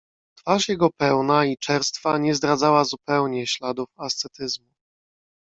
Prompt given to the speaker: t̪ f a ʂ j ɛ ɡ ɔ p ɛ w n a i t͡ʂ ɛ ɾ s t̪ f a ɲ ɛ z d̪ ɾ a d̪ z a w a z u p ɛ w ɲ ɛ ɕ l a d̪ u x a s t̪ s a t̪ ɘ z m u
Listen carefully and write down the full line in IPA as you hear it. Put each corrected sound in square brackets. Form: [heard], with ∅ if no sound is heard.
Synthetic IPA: t̪ f a ʂ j ɛ ɡ ɔ p ɛ w n a i t͡ʂ ɛ ɾ s t̪ f a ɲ ɛ z d̪ ɾ a d̪ z a w a z u p ɛ w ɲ ɛ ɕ l a d̪ u [f] a s t̪ s [ɛ] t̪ ɘ z m u

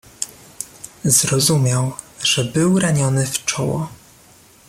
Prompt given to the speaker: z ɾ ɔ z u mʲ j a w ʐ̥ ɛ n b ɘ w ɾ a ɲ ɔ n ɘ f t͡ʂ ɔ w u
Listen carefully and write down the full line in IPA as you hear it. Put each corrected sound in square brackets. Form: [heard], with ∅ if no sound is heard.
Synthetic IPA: z ɾ ɔ z u mʲ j a w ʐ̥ ɛ [∅] b ɘ w ɾ a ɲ ɔ n ɘ f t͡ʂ ɔ w [ɔ]

